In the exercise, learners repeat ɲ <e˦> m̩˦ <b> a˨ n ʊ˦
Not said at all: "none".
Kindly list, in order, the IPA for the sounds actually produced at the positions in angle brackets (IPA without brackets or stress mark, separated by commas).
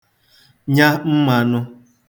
a˦, m